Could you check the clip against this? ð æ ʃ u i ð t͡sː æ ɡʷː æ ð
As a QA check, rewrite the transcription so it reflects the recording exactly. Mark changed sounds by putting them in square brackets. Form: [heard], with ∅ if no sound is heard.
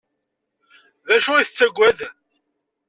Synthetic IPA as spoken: ð æ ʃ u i [θ] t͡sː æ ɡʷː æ ð